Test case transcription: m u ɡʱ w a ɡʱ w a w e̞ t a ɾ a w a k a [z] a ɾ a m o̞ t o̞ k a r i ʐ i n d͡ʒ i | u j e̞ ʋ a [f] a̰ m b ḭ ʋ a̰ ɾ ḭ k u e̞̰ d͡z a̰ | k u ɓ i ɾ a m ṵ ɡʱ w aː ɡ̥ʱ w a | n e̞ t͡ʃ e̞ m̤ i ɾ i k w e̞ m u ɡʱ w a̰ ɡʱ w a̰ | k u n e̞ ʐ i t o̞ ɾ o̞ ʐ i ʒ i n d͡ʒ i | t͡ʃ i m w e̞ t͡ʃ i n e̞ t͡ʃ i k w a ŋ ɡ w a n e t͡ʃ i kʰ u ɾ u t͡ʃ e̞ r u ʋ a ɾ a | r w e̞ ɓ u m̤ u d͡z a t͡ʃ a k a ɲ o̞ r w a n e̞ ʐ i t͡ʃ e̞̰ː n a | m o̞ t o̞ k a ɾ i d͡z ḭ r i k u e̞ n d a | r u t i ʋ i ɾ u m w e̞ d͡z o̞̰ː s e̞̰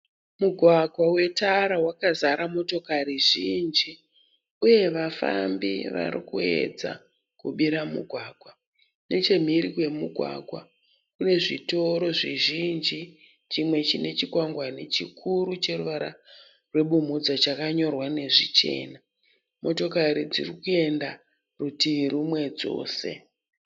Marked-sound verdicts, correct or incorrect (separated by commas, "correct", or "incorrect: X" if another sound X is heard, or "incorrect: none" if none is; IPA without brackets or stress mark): correct, correct